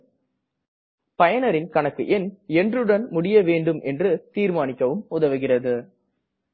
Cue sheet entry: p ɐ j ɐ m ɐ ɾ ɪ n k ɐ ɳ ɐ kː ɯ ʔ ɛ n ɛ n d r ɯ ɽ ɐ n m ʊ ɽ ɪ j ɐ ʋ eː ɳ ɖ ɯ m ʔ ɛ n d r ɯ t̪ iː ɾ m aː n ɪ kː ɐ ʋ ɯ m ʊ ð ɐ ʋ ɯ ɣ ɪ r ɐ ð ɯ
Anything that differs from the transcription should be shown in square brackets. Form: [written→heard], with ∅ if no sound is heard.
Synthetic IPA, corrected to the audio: p ɐ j ɐ [m→n] ɐ ɾ ɪ n k ɐ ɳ ɐ kː ɯ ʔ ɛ n ɛ n d r ɯ ɽ ɐ n m ʊ ɽ ɪ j ɐ ʋ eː ɳ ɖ ɯ m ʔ ɛ n d r ɯ t̪ iː ɾ m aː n ɪ kː ɐ ʋ ɯ m ʊ ð ɐ ʋ ɯ ɣ ɪ r ɐ ð ɯ